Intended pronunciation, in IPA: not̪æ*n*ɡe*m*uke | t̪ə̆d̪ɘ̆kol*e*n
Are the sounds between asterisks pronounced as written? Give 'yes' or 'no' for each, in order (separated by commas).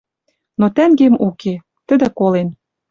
no, yes, yes